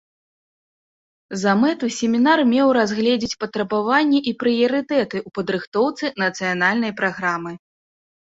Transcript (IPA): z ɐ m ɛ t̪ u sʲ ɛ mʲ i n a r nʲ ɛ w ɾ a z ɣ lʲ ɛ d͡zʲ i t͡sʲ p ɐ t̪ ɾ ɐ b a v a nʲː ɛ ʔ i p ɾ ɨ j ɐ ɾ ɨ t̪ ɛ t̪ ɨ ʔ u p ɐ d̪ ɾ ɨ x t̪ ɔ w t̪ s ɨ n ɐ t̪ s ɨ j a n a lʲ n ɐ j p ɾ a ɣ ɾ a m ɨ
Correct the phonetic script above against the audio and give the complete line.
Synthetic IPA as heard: z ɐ m ɛ t̪ u sʲ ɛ mʲ i n a r mʲ ɛ w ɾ a z ɣ lʲ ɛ d͡zʲ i t͡sʲ p ɐ t̪ ɾ ɐ b a v a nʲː ɛ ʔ i p ɾ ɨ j ɐ ɾ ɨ t̪ ɛ t̪ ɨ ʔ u p ɐ d̪ ɾ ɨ x t̪ ɔ w t̪ s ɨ n ɐ t̪ s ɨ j a n a lʲ n ɐ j p ɾ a ɣ ɾ a m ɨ

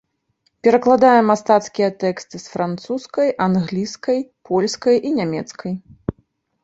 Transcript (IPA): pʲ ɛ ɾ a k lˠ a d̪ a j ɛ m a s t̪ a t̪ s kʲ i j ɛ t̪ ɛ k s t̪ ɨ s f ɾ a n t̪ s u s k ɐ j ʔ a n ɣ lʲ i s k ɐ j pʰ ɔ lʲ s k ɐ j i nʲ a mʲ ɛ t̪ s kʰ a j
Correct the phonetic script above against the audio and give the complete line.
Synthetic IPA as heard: pʲ ɛ ɾ ɐ k lˠ a d̪ a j ɛ m a s t̪ a t̪ s kʲ i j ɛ t̪ ɛ k s t̪ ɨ s f ɾ a n t̪ s u s k ɐ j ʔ a n ɣ lʲ i s k ɐ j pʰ ɔ lʲ s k ɐ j i nʲ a mʲ ɛ t̪ s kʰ ɐ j

